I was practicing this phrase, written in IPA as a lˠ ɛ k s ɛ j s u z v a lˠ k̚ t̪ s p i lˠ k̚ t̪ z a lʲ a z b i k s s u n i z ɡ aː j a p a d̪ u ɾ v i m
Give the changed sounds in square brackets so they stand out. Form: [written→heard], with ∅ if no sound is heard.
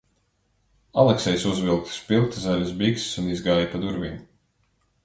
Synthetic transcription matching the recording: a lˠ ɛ k s ɛ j s u z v [a→i] lˠ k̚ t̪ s p i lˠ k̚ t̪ z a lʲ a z b i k s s u n i z ɡ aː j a p a d̪ u ɾ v i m